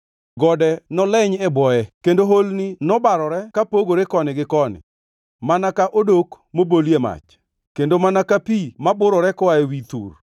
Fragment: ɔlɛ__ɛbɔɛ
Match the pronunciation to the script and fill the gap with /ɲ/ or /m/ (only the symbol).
ɲ